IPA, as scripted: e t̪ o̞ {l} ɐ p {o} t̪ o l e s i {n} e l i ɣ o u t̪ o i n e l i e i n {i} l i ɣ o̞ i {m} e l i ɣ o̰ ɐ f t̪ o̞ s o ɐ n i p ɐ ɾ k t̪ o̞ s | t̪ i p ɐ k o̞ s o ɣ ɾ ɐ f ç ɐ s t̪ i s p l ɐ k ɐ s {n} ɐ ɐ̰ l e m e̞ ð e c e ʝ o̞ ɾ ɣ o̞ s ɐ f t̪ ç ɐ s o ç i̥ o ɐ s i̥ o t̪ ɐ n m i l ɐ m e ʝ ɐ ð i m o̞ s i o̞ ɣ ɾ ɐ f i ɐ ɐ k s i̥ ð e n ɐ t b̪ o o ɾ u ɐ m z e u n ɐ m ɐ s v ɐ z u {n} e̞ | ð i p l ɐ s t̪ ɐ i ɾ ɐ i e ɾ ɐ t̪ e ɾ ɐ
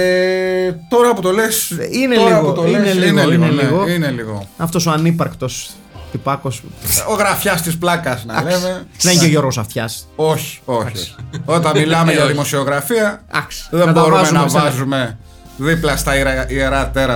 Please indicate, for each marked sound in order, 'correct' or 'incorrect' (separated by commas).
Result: incorrect, incorrect, correct, incorrect, incorrect, correct, incorrect